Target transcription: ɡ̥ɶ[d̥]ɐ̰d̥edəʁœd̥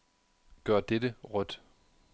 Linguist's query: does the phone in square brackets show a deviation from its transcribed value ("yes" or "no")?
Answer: yes